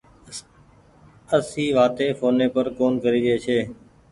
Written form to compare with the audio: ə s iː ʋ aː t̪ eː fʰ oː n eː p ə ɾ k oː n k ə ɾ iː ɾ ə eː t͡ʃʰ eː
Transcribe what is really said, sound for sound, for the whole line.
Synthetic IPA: ə s iː ʋ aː t̪ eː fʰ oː n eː p ə ɾ k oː n k ə ɾ iː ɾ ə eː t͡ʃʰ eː